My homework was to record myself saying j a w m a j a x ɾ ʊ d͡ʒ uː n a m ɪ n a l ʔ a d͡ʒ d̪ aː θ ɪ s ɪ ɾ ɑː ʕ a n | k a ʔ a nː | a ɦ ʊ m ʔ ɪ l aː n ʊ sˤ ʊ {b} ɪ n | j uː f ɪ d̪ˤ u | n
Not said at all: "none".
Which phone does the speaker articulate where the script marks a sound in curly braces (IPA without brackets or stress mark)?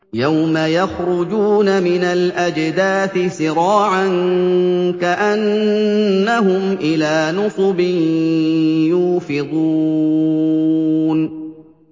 b